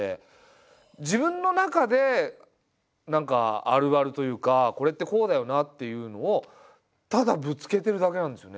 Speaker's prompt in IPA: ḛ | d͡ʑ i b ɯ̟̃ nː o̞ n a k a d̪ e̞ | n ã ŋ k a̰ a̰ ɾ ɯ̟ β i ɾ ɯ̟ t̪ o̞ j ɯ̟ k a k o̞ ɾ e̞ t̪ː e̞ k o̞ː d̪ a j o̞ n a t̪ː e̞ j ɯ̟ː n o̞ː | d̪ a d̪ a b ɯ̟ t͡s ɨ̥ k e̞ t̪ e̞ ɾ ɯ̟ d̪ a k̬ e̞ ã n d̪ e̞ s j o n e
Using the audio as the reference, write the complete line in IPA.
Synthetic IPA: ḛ | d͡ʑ i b ɯ̟̃ nː o̞ n a k a d̪ e̞ | n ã ŋ k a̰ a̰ ɾ ɯ̟ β a ɾ ɯ̟ t̪ o̞ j ɯ̟ː k a k o̞ ɾ e̞ t̪ː e̞ k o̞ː d̪ a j o̞ n a t̪ː e̞ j ɯ̟ː n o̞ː | t̪ a d̪ a b ɯ̟ t͡s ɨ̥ k e̞ t̪ e̞ ɾ ɯ̟ d̪ a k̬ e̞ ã n d̪ e̞ s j o n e